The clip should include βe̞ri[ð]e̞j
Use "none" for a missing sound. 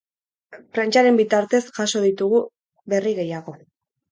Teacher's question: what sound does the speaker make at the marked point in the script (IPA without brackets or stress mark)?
ɣ